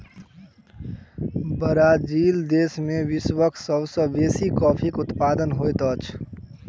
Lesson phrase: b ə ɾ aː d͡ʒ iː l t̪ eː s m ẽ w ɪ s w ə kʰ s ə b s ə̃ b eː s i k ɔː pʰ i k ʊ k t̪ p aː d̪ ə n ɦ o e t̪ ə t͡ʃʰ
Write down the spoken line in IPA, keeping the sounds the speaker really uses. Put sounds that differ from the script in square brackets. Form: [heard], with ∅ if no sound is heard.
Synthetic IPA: b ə ɾ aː d͡ʒ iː l [d̪] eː s m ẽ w ɪ s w ə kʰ s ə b s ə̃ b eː s i k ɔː pʰ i k ʊ [∅] t̪ p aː d̪ ə n ɦ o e t̪ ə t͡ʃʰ